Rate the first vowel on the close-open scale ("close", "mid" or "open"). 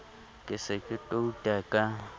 close